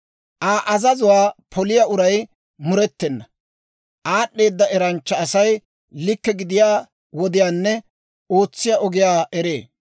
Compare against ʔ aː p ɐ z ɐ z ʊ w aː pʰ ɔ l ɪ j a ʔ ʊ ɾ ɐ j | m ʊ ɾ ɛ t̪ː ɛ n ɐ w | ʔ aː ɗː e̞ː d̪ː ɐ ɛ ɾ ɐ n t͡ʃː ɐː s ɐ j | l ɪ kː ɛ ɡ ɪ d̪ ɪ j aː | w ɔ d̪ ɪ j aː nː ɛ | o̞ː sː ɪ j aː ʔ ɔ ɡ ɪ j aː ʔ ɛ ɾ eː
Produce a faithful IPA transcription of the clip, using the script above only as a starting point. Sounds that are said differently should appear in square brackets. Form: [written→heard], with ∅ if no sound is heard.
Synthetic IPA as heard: ʔ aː [p→ʔ] ɐ z ɐ z ʊ w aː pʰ ɔ l ɪ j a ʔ ʊ ɾ ɐ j | m ʊ ɾ ɛ t̪ː ɛ [n→nː] ɐ [w→∅] | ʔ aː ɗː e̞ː d̪ː ɐ ɛ ɾ ɐ n t͡ʃː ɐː s ɐ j | l ɪ kː ɛ ɡ ɪ d̪ ɪ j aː | w ɔ d̪ ɪ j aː nː ɛ | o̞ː [sː→t͡sː] ɪ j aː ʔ ɔ ɡ ɪ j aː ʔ ɛ ɾ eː